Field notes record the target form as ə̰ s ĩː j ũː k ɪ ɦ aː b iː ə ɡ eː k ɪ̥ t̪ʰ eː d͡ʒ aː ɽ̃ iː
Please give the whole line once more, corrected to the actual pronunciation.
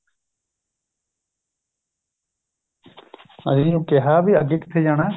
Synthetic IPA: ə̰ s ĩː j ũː k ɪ ɦ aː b iː ə ɡ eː k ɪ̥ t̪ʰ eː d͡ʒ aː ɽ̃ aː

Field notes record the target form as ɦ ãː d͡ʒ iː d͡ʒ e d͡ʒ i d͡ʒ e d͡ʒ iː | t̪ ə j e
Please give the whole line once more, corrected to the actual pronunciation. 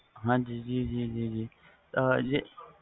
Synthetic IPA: ɦ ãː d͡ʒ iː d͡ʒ i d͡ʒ i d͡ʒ i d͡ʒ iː | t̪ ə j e

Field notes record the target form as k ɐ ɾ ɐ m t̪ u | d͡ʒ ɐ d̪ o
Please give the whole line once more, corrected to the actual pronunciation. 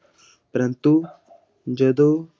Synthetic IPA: p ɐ ɾ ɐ n t̪ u | d͡ʒ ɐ d̪ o

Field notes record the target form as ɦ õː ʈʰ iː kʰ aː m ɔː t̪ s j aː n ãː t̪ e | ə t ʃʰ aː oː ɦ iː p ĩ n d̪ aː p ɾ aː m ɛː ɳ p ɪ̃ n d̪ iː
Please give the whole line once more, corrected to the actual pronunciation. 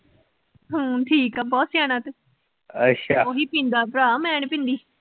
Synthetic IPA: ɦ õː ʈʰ iː k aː b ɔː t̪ s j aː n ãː t̪ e | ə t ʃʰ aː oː ɦ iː p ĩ n d̪ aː p ɾ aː m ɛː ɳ p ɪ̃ n d̪ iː

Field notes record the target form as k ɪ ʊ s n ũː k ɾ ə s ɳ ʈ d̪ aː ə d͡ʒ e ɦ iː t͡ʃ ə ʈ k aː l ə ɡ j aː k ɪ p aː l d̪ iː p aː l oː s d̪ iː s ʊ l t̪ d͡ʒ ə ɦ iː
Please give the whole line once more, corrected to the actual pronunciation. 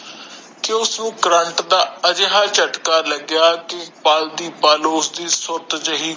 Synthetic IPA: k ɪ ʊ s n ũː k ɾ ə ɳ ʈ d̪ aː ə d͡ʒ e ɦ aː t͡ʃ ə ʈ k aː l ə ɡ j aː k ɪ p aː l d̪ iː p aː l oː s d̪ iː s ʊ ɾ t̪ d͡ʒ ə ɦ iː

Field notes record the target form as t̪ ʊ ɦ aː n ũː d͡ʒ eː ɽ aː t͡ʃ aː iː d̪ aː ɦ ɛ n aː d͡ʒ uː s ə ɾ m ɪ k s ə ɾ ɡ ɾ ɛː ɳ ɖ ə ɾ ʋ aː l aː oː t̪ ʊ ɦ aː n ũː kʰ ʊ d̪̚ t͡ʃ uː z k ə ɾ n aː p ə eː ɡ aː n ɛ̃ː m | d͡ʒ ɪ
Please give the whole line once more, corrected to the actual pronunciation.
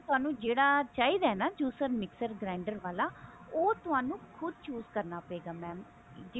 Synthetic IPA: t̪ ʊ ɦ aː n ũː d͡ʒ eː ɽ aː t͡ʃ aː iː d̪ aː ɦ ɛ n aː d͡ʒ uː s ə ɾ m ɪ k s ə ɾ ɡ ɾ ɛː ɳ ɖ ə ɾ ʋ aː l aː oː t̪ ʊ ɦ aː n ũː kʰ ʊ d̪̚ t͡ʃ uː z k ə ɾ n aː p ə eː ɡ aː m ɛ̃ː m | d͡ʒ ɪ

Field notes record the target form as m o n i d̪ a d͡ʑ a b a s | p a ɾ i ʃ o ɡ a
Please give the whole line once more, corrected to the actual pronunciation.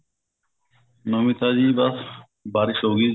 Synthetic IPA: n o m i t̪ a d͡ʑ i b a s | b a ɾ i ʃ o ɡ i

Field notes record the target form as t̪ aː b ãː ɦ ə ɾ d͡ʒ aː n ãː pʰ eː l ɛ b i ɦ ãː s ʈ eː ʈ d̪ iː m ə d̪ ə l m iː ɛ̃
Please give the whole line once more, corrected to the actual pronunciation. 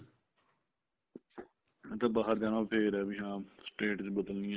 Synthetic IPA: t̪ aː b aː ɦ ə ɾ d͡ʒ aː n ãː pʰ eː ɾ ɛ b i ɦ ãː s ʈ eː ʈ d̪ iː b ə d̪ ə l n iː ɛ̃

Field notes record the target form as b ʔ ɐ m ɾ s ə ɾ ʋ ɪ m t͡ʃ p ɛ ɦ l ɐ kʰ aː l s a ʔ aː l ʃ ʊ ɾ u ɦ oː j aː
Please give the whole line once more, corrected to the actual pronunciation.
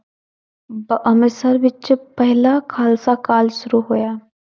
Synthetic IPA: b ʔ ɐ m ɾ s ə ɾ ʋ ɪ t͡ʃ p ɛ ɦ l a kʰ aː l s a k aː l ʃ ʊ ɾ u ɦ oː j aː

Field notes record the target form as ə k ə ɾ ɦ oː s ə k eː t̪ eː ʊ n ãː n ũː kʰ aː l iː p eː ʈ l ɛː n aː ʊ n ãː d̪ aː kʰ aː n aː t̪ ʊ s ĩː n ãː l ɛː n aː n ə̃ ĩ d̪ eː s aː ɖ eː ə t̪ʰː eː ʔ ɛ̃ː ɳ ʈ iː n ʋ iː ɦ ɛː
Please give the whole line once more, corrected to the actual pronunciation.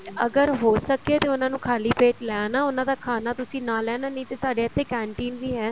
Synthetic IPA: ə ɡ ə ɾ ɦ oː s ə k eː t̪ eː ʊ n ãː n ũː kʰ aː l iː p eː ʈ l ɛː n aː ʊ n ãː d̪ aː kʰ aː n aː t̪ ʊ s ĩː n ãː l ɛː n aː n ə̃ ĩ t̪ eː s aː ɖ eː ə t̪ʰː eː k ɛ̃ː ɳ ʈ iː n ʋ iː ɦ ɛː

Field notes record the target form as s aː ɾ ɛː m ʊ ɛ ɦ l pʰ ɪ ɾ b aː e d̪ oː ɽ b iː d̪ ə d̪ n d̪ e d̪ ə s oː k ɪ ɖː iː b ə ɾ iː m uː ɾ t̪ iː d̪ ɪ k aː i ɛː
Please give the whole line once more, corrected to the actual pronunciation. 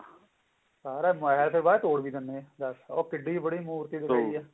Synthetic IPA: s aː ɾ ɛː m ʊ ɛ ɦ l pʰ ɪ ɾ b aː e t̪ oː ɽ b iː d̪ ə n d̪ e d̪ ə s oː k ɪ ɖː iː b ə ɽ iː m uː ɾ t̪ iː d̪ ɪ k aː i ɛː

